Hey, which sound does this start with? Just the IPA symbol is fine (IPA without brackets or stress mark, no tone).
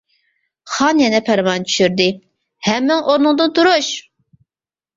χ